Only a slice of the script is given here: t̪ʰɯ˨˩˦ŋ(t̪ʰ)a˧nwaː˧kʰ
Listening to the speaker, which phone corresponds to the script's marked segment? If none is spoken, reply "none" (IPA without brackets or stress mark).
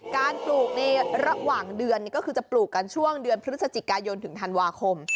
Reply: t̪ʰ